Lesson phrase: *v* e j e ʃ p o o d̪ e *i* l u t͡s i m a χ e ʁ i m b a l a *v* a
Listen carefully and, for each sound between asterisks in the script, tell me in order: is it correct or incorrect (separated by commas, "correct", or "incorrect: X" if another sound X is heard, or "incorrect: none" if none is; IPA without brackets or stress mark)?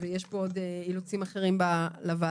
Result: correct, correct, correct